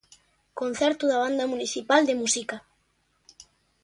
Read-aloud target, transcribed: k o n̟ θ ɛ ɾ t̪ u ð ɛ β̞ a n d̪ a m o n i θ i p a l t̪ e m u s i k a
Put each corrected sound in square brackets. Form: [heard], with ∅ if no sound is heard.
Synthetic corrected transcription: k o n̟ θ ɛ ɾ t̪ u ð [a] β̞ a n d̪ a m [u] n i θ i p a l [d̪] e m u s i k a